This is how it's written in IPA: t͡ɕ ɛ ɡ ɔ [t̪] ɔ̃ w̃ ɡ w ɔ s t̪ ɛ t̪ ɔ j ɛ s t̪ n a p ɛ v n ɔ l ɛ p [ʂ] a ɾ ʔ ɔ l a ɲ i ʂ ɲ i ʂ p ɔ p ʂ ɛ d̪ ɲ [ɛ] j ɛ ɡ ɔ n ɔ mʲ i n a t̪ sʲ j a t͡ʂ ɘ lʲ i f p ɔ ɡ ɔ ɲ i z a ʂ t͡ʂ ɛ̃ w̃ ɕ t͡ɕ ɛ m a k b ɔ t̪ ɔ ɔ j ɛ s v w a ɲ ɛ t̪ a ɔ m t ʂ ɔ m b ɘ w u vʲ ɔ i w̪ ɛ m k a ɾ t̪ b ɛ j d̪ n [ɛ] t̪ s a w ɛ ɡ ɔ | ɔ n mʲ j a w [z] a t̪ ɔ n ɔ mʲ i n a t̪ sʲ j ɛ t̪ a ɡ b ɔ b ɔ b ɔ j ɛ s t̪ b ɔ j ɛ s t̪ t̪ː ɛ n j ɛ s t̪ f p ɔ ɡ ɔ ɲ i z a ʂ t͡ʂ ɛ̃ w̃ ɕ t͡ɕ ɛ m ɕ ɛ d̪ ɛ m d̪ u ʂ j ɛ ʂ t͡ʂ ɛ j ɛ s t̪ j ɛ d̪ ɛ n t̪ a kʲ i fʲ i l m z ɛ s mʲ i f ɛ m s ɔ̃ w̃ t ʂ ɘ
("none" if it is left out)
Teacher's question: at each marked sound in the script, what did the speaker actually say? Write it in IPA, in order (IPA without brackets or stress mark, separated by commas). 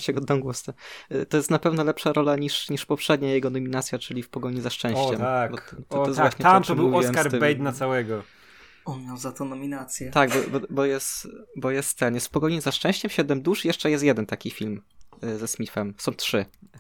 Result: d̪, ʂ, a, a, z